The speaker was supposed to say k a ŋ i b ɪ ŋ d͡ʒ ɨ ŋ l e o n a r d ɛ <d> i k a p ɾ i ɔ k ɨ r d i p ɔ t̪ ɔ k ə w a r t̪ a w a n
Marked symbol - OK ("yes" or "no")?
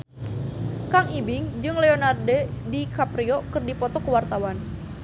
yes